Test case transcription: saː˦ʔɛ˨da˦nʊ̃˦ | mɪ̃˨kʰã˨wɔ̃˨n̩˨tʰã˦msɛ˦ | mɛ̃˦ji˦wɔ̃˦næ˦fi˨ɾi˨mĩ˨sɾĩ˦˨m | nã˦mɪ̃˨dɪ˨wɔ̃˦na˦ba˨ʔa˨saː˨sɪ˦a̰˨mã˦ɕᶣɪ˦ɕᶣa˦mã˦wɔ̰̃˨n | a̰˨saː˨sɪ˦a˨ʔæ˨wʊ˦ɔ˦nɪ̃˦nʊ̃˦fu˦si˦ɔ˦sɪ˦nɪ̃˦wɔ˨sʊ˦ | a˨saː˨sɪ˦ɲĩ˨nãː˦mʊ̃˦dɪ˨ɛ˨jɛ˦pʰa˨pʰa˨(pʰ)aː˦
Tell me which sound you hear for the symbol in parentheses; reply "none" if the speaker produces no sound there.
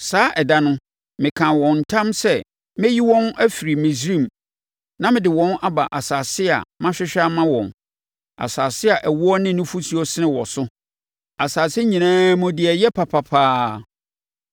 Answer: pʰ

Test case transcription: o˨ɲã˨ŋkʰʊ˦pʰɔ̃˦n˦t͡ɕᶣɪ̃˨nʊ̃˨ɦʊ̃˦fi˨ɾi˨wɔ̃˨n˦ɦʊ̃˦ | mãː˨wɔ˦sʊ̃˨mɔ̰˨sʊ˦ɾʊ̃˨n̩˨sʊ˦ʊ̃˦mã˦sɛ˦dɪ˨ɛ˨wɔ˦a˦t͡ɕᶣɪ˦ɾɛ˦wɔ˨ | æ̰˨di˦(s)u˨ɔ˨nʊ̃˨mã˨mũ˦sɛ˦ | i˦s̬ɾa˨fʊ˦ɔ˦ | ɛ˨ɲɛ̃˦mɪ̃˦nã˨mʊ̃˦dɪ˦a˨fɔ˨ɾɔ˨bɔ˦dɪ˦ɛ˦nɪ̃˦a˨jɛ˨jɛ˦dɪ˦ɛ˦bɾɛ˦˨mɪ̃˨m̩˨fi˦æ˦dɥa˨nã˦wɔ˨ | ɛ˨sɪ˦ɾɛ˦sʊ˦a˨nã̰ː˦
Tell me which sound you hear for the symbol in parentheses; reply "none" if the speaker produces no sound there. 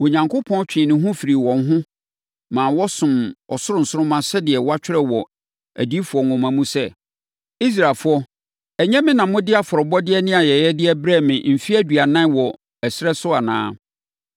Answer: f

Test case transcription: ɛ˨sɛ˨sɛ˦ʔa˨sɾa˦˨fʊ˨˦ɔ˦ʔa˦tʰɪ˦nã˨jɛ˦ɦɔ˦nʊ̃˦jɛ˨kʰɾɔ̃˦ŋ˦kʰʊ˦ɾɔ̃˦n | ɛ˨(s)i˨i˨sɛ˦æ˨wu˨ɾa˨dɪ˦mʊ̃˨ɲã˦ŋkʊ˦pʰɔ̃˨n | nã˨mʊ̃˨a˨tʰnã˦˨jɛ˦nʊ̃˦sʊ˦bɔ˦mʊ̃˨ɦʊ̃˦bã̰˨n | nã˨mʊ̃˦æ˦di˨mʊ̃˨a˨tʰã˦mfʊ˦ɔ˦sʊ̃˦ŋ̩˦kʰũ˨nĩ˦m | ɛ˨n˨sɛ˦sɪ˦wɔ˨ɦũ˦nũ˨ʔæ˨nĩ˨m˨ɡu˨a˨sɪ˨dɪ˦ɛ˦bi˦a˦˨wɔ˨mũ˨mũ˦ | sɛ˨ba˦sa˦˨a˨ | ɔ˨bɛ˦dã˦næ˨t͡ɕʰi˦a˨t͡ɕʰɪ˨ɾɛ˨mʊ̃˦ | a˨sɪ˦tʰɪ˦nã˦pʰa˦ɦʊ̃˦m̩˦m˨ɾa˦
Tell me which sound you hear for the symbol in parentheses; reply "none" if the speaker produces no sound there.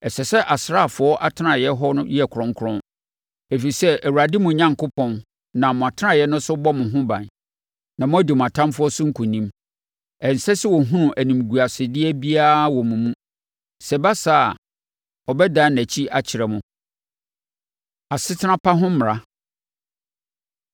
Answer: f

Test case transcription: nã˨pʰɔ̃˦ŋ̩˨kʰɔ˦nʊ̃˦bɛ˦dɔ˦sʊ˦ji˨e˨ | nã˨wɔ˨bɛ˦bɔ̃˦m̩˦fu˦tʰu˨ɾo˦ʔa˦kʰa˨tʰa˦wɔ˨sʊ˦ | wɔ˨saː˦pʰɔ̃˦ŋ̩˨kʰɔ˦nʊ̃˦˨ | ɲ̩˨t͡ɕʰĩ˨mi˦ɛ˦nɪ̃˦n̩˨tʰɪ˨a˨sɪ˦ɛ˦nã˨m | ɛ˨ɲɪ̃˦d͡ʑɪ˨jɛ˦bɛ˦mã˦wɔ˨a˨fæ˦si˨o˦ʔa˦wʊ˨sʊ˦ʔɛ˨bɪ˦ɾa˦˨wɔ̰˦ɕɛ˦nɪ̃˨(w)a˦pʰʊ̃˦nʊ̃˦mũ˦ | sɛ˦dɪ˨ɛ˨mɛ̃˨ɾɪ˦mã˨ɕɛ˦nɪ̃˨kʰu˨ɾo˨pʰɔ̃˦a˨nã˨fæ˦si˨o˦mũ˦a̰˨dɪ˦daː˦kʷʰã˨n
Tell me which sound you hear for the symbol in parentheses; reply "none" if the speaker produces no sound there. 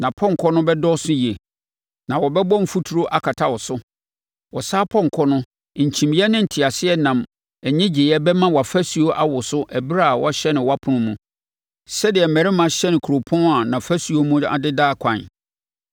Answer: w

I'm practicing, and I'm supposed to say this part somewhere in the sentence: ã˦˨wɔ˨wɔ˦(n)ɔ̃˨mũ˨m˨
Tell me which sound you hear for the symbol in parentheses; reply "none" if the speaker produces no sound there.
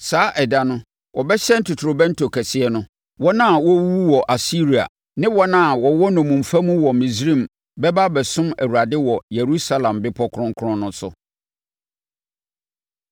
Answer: n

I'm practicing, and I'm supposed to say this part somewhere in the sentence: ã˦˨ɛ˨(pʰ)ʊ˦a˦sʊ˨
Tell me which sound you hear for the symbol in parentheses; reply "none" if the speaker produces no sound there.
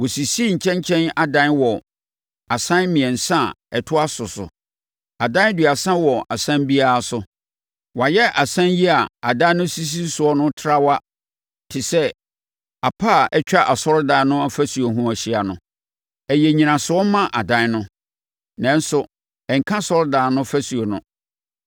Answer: tʰ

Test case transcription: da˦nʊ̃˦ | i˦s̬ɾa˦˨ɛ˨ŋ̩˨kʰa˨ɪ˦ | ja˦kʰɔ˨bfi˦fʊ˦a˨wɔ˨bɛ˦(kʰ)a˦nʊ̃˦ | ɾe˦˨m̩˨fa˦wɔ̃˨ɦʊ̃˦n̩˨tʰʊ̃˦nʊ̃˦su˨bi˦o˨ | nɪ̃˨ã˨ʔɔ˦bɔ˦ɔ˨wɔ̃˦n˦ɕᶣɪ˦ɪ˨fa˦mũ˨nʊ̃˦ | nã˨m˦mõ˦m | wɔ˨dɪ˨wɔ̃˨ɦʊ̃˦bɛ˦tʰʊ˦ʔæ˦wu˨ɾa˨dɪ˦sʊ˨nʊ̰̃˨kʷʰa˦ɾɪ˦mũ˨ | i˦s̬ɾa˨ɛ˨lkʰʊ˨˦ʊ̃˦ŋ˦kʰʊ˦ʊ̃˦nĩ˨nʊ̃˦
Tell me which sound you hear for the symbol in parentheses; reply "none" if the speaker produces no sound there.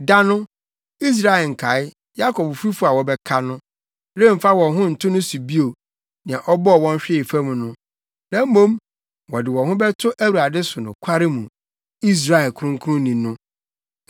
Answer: kʰ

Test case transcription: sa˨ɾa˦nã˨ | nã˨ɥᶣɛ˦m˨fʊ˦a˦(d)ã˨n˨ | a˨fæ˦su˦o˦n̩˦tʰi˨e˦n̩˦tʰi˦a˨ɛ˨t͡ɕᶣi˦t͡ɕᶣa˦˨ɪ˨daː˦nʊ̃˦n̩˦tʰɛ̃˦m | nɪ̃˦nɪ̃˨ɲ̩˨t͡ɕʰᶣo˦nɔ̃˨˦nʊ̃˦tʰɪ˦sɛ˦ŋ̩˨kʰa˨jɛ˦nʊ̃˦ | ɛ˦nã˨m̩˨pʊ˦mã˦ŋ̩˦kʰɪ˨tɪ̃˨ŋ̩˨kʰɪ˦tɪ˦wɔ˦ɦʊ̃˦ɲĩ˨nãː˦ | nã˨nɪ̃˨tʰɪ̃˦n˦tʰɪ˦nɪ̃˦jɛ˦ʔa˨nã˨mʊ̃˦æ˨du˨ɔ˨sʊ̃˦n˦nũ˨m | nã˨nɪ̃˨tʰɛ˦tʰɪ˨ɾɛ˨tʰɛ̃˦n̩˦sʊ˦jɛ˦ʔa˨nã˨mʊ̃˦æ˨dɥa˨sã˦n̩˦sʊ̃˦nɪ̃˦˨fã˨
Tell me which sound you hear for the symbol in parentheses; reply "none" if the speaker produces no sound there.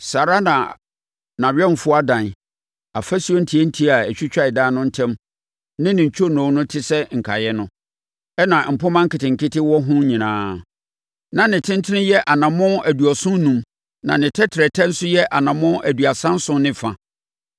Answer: d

